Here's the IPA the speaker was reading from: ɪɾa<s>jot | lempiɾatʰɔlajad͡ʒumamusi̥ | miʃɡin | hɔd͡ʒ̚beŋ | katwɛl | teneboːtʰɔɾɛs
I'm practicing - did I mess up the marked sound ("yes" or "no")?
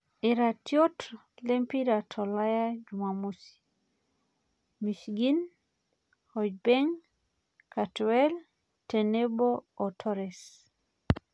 yes